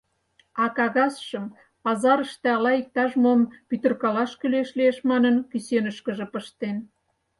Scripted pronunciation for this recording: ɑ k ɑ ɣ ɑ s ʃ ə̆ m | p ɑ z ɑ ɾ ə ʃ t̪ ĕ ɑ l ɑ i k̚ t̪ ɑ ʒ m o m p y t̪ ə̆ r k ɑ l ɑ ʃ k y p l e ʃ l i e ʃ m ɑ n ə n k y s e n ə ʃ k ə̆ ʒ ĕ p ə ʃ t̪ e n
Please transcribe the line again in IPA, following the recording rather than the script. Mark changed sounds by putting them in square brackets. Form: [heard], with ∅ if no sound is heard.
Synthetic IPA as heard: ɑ k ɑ ɣ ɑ s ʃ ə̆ m | p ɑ z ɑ ɾ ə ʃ t̪ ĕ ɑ l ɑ i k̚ t̪ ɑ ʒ m o m p y t̪ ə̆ r k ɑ l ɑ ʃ k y [∅] l e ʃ l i e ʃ m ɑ n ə n k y s e n ə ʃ k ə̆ ʒ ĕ p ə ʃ t̪ e n

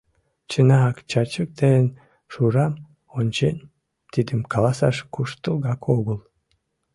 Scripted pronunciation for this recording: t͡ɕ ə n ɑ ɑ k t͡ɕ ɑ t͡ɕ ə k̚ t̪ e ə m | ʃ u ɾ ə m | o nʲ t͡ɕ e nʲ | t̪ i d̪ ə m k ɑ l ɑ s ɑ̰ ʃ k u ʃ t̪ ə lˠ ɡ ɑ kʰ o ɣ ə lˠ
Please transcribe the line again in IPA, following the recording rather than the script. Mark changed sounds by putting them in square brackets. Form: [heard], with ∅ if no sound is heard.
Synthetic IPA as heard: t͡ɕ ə n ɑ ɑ k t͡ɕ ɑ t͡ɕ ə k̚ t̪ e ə [n] | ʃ u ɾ [ɑ] m | o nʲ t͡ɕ e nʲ | t̪ i d̪ ə m k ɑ l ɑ s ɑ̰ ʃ k u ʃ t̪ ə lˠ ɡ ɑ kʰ o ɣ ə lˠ

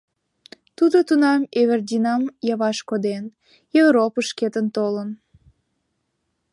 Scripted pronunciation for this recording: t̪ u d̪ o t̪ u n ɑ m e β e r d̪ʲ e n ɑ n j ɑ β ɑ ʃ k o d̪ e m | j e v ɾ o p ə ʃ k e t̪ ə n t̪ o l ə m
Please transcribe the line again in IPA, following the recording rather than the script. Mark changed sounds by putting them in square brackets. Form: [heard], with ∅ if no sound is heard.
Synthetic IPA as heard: t̪ u d̪ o t̪ u n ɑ m e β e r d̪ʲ [i] n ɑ [m] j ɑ β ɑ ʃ k o d̪ e [n] | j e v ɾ o p ə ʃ k e t̪ ə n t̪ o l ə [n]

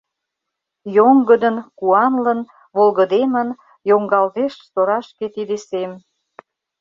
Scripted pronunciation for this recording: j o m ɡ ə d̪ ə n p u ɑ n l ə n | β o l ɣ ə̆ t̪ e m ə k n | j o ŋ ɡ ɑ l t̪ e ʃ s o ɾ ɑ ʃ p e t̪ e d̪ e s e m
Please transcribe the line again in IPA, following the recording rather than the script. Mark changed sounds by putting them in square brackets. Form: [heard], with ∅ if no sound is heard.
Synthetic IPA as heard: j o [ŋ] ɡ ə d̪ ə n [k] u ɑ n l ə n | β o l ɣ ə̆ [d̪] e m ə [∅] n | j o ŋ ɡ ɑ l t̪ e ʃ s o ɾ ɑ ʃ [k] e t̪ [i] d̪ e s e m

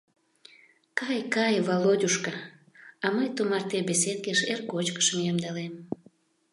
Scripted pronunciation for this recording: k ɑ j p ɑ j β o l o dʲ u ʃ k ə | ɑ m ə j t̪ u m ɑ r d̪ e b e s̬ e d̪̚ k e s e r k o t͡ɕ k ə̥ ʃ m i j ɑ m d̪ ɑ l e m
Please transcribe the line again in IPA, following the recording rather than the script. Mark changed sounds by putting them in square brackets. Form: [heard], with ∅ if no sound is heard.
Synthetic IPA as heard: k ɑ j [k] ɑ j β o l o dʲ u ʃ k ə | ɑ m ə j t̪ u m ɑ r [t̪] e b e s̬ e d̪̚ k e [ʃ] e r k o t͡ɕ k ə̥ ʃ m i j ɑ m d̪ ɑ l e m

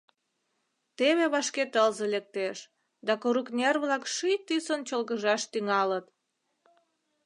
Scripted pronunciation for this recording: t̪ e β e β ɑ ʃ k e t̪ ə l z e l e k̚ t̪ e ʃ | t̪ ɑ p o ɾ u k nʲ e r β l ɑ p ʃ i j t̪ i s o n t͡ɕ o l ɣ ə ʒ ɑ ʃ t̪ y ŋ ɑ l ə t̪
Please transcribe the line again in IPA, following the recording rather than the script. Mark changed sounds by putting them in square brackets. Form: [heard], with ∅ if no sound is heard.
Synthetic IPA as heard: t̪ e β e β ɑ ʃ k e t̪ ə l z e l e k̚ t̪ e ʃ | [d̪] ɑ [k] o ɾ u k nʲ e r β l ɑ [k] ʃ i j t̪ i s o n t͡ɕ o l ɣ ə ʒ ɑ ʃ t̪ y ŋ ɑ l ə t̪

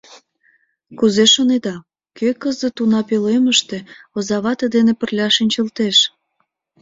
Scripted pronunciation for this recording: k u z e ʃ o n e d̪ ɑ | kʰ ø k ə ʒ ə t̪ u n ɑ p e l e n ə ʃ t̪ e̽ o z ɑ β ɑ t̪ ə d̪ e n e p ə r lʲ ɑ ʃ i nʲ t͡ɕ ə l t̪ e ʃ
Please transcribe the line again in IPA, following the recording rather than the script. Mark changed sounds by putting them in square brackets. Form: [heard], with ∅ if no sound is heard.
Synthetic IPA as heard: k u z e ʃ o n e d̪ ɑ | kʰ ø k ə [z] ə t̪ u n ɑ p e l e [m] ə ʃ t̪ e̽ o z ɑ β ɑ t̪ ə d̪ e n e p ə r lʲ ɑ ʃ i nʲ t͡ɕ ə l t̪ e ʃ

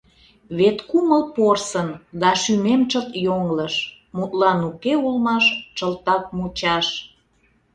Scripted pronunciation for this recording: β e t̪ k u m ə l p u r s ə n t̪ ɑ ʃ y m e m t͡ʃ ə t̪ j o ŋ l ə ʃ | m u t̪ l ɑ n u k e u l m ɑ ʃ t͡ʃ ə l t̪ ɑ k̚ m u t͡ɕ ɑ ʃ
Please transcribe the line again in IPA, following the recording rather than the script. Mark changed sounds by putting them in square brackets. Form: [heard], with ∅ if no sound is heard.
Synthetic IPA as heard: β e t̪ k u m ə l p [o] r s ə n [d̪] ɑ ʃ y m e m t͡ʃ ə t̪ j o ŋ l ə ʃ | m u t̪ l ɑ n u k e u l m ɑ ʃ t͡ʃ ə l t̪ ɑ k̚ m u t͡ɕ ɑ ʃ

